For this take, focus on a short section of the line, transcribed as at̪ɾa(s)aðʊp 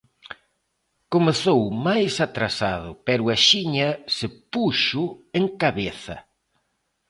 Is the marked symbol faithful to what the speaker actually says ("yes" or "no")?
yes